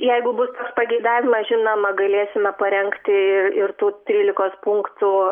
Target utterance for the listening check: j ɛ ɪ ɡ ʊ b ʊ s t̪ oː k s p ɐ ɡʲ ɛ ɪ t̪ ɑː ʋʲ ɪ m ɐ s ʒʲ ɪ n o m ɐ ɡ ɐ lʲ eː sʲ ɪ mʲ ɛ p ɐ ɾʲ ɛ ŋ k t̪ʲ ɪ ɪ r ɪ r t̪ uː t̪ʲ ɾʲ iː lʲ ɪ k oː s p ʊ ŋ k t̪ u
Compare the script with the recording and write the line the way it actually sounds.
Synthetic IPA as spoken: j ɛ ɪ ɡ ʊ b ʊ s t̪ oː k s p ɐ ɡʲ ɛ ɪ d̪ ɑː ʋʲ ɪ m ɐ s ʒʲ ɪ n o m ɐ ɡ ɐ lʲ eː sʲ ɪ mʲ ɛ p ɐ ɾʲ ɛ ŋ k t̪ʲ ɪ ɪ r ɪ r t̪ uː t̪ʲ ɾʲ iː lʲ ɪ k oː s p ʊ ŋ k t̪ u